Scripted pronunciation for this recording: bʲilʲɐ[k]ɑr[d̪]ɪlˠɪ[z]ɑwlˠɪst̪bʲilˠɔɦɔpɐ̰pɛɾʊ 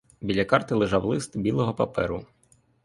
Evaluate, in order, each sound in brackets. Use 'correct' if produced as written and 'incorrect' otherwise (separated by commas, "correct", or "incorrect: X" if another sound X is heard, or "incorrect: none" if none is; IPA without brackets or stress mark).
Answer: correct, incorrect: t̪, incorrect: ʒ